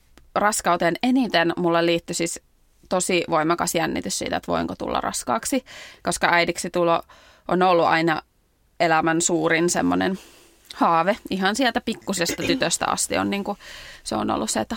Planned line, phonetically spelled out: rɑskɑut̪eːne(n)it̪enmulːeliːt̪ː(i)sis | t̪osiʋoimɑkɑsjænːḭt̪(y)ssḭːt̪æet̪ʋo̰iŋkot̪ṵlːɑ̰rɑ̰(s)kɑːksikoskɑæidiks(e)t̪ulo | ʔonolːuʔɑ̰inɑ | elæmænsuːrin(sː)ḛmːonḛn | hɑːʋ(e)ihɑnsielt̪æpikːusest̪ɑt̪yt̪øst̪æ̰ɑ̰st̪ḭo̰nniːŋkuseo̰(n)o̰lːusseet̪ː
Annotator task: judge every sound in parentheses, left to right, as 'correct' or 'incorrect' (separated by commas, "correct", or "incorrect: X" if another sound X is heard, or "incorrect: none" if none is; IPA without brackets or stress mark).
correct, incorrect: y, correct, correct, incorrect: i, incorrect: s, correct, correct